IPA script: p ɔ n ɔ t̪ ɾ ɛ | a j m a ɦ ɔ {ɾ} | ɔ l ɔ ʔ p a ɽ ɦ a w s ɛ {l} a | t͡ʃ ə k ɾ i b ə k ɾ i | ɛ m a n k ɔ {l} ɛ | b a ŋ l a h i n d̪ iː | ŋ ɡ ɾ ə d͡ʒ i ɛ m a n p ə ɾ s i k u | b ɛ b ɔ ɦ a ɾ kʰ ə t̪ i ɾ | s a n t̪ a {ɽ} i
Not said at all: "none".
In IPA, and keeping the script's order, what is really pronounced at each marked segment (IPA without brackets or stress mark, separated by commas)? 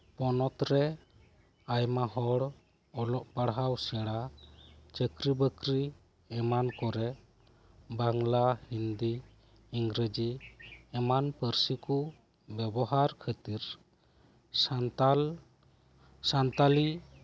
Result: ɽ, ɽ, ɾ, l